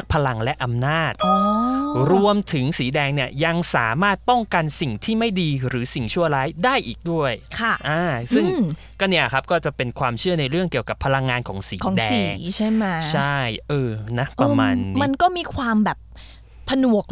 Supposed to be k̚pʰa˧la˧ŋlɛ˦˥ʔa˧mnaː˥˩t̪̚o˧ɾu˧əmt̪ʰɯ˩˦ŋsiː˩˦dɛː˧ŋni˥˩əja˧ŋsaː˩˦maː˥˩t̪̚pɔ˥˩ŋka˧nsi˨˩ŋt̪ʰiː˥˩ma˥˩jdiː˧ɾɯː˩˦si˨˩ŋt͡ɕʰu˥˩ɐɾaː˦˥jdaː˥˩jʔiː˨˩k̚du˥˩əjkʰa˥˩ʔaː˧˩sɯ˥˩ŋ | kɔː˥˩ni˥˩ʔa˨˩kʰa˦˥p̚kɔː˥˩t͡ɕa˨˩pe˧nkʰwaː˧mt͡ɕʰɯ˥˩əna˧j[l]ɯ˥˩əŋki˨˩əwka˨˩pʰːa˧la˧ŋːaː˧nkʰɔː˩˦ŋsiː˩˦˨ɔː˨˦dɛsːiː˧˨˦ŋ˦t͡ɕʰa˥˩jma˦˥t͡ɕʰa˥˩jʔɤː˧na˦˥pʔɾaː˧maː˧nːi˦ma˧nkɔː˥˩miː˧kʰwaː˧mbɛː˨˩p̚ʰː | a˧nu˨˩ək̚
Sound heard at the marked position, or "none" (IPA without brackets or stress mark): ɾ